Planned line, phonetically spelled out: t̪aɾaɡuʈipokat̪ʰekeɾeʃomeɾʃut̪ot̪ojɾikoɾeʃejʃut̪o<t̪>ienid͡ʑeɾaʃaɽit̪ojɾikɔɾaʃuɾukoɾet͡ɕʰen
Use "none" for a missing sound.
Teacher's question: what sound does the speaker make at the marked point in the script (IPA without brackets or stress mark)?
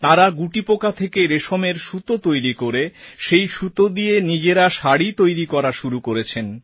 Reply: d̪